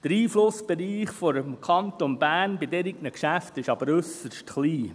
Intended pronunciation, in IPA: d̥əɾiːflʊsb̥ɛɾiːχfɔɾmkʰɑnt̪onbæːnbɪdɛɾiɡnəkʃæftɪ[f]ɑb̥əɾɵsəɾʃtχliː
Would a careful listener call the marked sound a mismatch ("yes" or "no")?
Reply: yes